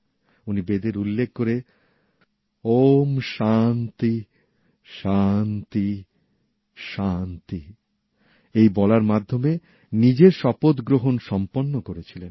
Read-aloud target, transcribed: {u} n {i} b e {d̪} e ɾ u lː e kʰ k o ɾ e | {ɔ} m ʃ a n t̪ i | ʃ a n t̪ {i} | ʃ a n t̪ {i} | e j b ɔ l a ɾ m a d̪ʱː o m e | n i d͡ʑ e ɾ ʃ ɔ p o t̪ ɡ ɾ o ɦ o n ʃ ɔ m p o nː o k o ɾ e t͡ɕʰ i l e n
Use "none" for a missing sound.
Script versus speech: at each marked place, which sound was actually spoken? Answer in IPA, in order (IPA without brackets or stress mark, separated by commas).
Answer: u, i, d̪, o, i, i